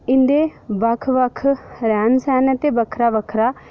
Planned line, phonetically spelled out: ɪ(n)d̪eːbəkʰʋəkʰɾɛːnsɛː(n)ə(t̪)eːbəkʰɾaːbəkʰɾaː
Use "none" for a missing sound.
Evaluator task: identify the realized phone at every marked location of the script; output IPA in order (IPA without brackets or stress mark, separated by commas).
n, n, t̪